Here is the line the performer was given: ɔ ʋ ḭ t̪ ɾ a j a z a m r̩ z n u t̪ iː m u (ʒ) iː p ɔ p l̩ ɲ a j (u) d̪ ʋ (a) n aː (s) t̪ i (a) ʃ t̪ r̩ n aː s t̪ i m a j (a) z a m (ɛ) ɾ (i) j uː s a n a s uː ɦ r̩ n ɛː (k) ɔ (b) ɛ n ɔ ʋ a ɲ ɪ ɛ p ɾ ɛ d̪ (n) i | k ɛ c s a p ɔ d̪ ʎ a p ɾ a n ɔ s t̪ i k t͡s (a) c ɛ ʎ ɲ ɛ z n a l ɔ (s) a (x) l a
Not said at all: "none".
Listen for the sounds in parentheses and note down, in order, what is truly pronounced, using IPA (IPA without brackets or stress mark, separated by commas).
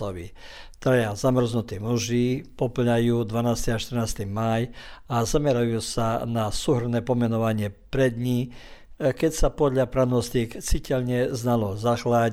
ʒ, uː, a, s, a, a, ɛ, a, p, m, ɲ, i, z, x